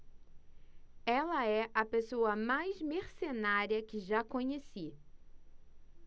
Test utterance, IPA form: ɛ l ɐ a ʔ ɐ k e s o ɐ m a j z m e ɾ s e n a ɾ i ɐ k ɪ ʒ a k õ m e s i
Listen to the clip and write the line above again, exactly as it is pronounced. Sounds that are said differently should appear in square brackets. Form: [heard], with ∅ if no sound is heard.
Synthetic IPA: ɛ l ɐ [ɛ] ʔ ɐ [p] e s o ɐ m a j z m e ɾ s e n a ɾ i ɐ k ɪ ʒ a k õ [ɲ] e s i